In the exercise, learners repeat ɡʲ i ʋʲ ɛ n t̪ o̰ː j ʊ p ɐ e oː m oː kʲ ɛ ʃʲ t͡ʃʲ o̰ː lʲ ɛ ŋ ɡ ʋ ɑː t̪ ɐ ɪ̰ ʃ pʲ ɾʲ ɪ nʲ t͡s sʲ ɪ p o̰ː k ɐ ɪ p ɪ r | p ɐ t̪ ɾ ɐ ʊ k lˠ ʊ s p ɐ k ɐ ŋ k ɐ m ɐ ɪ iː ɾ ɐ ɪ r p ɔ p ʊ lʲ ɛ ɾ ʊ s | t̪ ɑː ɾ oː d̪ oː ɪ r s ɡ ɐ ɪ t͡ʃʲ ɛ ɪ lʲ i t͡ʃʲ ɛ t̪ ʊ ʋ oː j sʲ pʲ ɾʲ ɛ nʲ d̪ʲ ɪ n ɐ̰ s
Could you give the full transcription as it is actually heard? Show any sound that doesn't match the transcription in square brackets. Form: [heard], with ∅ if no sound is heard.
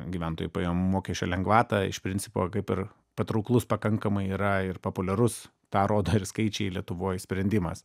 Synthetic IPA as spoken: ɡʲ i ʋʲ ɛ n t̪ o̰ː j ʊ p ɐ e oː m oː kʲ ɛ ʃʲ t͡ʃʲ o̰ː lʲ ɛ ŋ ɡ ʋ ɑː t̪ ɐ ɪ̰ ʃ pʲ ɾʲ ɪ nʲ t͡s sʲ ɪ p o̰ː k ɐ ɪ p ɪ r | p ɐ t̪ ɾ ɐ ʊ k lˠ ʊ s p ɐ k ɐ ŋ k ɐ m ɐ ɪ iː ɾ ɐ ɪ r p [o] p ʊ lʲ ɛ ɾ ʊ s | t̪ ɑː ɾ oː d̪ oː ɪ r s [k] ɐ ɪ t͡ʃʲ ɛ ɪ lʲ i [∅] ɛ t̪ ʊ ʋ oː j sʲ pʲ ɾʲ ɛ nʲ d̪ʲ ɪ [m] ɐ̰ s